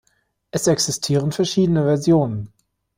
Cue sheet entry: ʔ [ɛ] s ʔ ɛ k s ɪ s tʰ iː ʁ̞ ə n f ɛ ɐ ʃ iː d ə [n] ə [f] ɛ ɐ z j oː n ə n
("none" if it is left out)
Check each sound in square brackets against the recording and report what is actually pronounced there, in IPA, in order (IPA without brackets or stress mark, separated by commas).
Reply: ɛ, n, v